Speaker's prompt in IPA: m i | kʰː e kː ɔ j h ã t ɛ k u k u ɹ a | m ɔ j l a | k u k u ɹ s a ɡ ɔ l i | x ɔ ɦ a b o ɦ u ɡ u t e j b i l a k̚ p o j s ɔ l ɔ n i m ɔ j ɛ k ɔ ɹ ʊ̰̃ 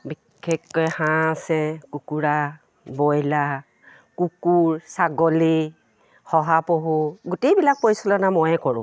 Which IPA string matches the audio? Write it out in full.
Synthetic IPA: b i | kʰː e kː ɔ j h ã s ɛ k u k u ɹ a | b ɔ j l a | k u k u ɹ s a ɡ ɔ l i | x ɔ ɦ a p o ɦ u ɡ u t e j b i l a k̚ p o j s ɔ l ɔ n a m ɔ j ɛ k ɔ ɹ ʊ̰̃